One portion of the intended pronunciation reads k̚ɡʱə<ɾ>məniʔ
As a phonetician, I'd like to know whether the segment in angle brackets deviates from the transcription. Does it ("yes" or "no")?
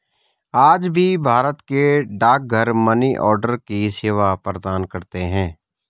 no